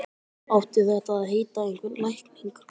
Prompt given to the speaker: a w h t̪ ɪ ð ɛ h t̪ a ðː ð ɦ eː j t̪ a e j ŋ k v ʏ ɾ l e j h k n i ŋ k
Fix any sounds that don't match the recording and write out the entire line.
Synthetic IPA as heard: a w h t̪ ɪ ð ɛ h t̪ a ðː ð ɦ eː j t̪ a e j ŋ k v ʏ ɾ l a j h k n i ŋ k